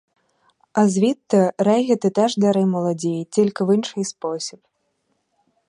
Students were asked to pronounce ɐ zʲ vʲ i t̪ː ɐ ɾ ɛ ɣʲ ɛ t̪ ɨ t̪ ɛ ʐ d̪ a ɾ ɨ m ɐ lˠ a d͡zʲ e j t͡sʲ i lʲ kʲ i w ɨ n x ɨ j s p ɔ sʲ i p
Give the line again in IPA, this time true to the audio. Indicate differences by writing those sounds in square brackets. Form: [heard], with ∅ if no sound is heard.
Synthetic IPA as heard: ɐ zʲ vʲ i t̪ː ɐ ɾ ɛ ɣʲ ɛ t̪ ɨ t̪ ɛ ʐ d̪ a ɾ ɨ m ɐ lˠ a d͡zʲ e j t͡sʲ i lʲ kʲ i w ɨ n [ʂ] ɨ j s p ɔ sʲ i p

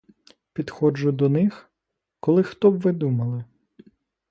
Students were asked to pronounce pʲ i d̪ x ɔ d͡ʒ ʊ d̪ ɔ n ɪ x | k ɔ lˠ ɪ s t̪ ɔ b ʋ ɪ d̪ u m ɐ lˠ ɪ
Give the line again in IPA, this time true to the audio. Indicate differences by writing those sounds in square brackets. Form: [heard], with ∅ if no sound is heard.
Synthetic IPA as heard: pʲ i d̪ x ɔ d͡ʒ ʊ d̪ ɔ n ɪ x | k ɔ lˠ ɪ [x] t̪ ɔ b ʋ ɪ d̪ u m ɐ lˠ ɪ

